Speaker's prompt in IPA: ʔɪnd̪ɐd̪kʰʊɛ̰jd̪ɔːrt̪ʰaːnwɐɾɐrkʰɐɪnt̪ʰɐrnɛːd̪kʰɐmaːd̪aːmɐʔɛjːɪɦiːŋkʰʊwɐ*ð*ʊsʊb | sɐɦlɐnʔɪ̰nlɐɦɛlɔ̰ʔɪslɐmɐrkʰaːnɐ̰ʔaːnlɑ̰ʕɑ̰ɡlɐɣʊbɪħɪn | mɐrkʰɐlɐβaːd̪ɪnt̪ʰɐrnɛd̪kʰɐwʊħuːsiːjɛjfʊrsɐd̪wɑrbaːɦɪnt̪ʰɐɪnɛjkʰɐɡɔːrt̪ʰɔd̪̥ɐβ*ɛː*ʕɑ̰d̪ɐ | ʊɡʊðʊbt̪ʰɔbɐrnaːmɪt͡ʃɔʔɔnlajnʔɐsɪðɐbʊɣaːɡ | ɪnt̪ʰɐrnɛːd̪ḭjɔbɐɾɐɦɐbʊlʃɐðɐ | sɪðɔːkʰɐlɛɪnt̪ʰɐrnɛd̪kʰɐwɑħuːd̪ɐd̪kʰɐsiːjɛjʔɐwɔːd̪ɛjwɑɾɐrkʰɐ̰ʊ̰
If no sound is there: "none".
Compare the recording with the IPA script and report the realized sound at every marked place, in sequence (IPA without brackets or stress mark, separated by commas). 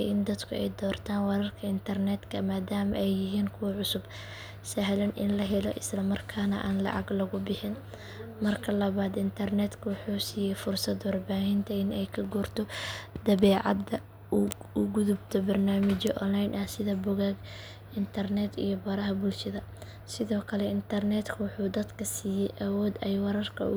ʕ, ɛː